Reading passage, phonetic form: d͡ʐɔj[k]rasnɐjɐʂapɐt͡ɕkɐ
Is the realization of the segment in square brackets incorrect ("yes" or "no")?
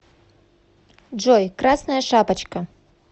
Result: no